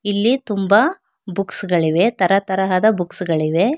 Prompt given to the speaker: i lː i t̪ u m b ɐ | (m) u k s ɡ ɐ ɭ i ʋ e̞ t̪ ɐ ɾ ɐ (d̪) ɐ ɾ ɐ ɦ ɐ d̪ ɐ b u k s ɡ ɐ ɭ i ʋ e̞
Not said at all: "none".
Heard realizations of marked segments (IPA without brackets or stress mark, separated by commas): b, t̪